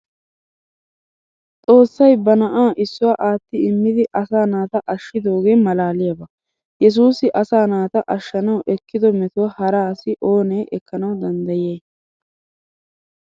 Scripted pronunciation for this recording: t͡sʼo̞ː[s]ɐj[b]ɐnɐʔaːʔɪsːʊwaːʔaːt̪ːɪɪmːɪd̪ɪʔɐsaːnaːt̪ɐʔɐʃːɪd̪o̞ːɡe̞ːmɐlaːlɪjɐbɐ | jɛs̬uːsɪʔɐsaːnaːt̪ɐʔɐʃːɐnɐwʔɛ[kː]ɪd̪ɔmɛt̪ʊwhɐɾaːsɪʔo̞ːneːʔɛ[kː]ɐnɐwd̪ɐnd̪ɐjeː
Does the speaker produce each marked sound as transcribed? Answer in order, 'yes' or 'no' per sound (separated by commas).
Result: no, yes, yes, yes